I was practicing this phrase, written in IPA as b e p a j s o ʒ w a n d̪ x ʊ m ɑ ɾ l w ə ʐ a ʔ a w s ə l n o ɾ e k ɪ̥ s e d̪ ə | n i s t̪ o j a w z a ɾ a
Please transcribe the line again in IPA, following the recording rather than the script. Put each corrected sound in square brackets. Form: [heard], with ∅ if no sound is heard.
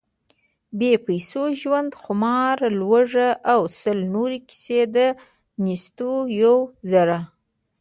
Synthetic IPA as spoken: b e p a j s o ʒ w a n d̪ x ʊ m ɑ ɾ l w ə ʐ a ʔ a w s ə l n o ɾ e k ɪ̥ s e d̪ ə | n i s t̪ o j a w z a ɾ a